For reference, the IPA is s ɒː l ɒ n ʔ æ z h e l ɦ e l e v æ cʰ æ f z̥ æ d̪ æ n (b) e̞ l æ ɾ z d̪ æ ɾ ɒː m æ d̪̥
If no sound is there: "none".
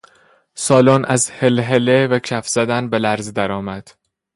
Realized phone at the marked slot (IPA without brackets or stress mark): b